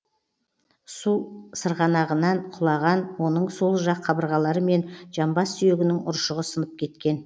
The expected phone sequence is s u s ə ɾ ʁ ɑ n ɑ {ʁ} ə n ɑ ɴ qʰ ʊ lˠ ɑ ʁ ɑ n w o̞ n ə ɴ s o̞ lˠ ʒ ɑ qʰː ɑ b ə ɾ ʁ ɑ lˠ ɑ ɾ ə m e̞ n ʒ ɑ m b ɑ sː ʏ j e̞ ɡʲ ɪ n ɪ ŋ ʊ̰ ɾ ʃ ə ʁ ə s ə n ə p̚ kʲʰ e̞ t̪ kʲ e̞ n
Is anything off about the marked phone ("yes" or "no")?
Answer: no